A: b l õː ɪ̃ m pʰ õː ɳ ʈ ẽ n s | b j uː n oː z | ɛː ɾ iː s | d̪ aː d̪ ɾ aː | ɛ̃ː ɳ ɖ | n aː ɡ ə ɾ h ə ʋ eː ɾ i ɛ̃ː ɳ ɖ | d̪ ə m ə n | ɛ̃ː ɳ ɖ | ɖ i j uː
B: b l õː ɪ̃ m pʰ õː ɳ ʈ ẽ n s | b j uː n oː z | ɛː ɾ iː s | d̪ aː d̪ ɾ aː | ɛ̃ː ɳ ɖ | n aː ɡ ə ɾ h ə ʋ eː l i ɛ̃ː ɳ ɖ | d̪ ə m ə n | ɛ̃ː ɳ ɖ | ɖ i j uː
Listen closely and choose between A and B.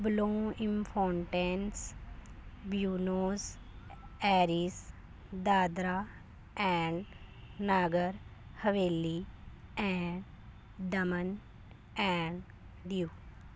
B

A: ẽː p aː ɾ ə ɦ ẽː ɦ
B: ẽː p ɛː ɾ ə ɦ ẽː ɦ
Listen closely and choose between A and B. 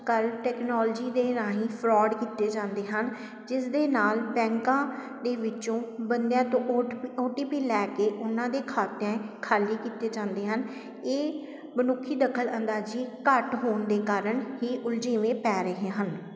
B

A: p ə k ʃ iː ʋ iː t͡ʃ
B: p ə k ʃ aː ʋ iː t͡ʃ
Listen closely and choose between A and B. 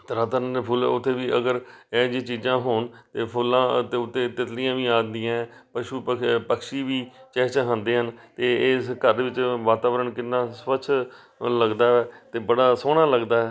A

